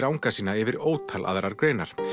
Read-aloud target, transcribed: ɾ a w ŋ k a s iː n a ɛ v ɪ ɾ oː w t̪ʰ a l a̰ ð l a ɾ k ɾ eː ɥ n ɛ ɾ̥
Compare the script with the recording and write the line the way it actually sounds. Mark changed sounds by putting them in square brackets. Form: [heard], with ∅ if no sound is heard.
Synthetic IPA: ɾ a w ŋ k a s iː n a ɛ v ɪ ɾ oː w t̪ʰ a l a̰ ð [ɾ] a ɾ k ɾ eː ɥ n [a] ɾ̥